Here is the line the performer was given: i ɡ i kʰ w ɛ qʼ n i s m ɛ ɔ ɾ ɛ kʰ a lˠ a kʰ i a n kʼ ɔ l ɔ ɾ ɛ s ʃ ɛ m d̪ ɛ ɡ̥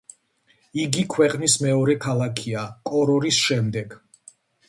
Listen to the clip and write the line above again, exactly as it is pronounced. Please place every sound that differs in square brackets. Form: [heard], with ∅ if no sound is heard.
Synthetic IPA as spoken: i ɡ i kʰ w ɛ qʼ n i s m ɛ ɔ ɾ ɛ kʰ a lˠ a kʰ i a [∅] kʼ ɔ [ɾ] ɔ ɾ [i] s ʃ ɛ m d̪ ɛ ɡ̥